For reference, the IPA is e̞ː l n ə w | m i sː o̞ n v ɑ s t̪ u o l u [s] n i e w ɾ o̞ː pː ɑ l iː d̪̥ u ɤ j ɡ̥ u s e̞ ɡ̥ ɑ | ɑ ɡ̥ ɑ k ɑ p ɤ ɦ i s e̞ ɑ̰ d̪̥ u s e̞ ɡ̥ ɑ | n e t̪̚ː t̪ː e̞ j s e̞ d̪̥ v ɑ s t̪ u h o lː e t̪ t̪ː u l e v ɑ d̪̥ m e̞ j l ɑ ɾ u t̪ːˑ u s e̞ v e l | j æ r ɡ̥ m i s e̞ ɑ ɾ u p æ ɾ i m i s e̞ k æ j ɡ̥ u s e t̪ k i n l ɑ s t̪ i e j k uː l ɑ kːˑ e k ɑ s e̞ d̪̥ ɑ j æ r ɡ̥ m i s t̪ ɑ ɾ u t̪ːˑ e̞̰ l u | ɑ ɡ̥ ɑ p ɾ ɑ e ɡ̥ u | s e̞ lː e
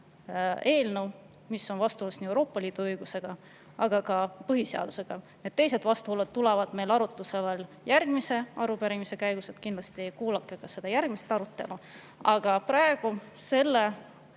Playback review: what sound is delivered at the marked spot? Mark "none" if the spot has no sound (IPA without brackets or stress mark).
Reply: s